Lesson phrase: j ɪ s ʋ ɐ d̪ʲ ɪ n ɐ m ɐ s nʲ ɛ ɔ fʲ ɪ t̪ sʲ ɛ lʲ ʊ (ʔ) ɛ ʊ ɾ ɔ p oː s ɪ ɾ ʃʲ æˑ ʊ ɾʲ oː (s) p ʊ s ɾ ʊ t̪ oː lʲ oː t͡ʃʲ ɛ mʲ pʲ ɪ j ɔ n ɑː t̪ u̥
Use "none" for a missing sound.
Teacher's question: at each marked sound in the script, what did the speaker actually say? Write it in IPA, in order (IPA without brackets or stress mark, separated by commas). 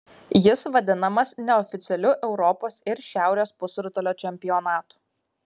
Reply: ʔ, s